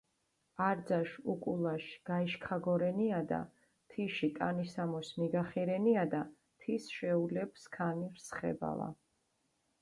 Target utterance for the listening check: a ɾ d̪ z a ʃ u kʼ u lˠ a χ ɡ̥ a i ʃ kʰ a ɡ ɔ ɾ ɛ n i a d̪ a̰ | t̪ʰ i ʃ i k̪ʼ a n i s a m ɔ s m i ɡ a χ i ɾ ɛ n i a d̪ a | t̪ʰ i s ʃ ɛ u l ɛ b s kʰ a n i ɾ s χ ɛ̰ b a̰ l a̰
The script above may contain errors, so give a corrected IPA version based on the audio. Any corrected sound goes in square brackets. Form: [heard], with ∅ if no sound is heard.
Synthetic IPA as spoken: a ɾ d̪ z a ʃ u kʼ u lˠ a [ʃ] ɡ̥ a i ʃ kʰ a ɡ ɔ ɾ ɛ n i a d̪ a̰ | t̪ʰ i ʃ i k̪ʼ a n i s a m ɔ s m i ɡ a χ i ɾ ɛ n i a d̪ a | t̪ʰ i s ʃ ɛ u l ɛ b s kʰ a n i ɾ s χ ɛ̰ b a̰ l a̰